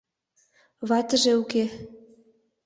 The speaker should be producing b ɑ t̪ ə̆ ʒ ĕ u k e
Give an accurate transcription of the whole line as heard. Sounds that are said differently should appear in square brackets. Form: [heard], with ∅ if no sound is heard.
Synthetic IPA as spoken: [β] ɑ t̪ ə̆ ʒ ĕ u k e